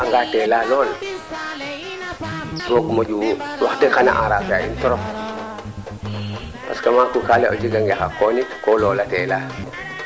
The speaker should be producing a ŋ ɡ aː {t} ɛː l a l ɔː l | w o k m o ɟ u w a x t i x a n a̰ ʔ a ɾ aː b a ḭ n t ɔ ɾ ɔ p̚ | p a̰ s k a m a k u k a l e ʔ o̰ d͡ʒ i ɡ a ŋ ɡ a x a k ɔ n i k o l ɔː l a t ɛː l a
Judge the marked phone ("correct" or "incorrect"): correct